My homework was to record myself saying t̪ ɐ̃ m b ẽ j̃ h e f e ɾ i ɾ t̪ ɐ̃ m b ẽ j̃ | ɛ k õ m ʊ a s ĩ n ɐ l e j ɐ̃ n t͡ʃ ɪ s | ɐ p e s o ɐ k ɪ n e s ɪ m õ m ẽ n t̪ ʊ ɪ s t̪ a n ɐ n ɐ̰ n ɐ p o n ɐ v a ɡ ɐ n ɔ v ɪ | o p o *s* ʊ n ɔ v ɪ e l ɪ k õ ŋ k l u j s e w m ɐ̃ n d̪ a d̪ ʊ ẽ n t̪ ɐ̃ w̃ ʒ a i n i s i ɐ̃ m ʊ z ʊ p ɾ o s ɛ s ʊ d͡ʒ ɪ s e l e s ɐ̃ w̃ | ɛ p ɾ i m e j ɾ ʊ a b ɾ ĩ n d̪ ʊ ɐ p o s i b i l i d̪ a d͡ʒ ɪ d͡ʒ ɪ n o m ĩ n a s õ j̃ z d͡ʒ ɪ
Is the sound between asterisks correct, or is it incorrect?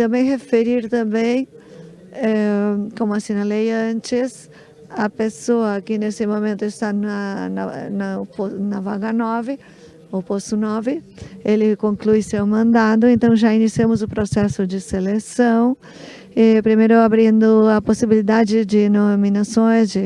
correct